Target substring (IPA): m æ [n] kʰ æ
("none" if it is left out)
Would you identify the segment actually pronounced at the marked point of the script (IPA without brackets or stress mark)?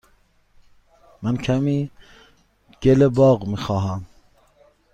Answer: n